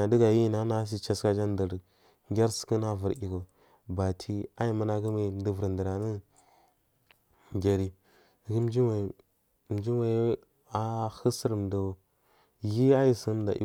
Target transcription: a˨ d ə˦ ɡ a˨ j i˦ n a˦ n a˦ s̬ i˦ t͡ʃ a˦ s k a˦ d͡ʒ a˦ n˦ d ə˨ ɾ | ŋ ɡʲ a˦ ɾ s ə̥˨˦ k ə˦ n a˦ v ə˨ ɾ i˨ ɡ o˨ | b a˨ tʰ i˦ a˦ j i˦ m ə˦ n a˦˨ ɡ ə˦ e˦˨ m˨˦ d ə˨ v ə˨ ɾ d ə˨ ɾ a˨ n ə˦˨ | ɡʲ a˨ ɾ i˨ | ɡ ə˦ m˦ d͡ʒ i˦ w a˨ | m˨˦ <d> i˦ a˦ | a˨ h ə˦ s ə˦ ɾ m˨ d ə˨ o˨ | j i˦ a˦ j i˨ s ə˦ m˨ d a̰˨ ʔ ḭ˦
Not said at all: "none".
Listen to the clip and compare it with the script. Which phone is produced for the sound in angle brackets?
d͡ʒ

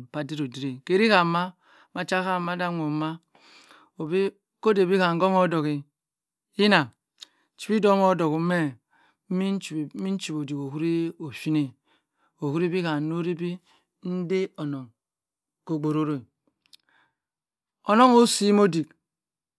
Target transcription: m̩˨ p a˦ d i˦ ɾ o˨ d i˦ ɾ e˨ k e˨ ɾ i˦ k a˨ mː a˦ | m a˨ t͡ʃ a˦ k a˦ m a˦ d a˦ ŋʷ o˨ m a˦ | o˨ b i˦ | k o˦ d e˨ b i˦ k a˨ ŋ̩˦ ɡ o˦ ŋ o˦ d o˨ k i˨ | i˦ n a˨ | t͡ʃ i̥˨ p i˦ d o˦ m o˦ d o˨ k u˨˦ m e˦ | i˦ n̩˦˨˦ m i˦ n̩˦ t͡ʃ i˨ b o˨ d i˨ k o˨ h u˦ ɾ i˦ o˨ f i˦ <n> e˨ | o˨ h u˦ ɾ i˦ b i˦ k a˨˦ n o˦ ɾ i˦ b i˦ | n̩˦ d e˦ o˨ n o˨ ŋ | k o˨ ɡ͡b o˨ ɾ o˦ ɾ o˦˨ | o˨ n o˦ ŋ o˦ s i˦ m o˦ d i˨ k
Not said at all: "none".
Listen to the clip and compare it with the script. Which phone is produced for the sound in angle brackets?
n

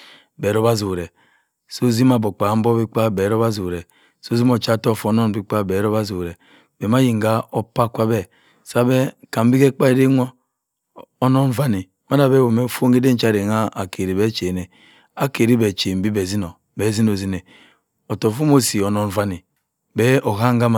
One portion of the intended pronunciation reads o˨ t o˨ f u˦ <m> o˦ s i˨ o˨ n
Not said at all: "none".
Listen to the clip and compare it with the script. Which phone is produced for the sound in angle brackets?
m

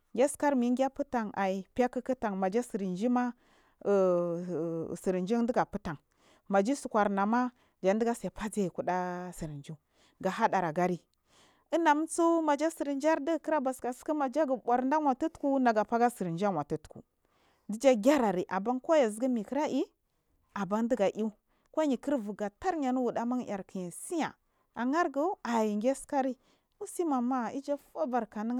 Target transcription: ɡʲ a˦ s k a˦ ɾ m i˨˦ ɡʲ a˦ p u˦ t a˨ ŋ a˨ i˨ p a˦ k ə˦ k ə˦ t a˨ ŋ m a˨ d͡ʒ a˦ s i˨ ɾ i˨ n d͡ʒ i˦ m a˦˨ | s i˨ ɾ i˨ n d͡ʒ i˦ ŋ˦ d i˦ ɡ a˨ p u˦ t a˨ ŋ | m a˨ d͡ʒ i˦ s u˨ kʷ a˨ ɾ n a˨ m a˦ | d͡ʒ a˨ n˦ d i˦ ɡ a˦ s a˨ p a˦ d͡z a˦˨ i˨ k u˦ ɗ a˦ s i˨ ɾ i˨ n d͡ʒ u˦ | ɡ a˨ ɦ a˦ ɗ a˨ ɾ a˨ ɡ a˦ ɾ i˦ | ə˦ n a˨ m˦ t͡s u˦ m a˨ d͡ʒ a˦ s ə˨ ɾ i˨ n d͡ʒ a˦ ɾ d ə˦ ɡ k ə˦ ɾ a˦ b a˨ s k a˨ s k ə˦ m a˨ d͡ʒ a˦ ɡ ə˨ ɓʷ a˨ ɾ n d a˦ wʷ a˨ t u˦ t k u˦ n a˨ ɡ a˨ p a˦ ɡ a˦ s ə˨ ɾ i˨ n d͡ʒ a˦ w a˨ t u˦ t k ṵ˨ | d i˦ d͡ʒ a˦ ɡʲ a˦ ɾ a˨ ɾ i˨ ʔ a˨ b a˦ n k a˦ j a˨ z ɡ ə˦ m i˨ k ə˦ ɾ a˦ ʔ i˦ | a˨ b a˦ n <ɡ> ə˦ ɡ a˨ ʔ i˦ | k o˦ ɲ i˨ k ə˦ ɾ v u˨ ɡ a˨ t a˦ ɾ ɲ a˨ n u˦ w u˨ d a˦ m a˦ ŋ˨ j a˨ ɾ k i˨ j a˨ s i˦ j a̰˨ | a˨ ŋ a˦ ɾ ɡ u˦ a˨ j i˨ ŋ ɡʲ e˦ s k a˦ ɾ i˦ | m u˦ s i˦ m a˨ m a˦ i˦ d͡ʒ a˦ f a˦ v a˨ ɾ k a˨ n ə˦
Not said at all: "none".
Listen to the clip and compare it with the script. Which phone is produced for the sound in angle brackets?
d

